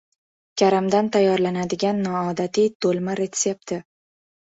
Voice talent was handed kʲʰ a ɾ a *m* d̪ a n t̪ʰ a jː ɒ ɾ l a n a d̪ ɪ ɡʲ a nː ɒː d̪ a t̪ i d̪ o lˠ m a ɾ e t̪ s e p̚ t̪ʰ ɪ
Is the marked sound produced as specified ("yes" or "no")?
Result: yes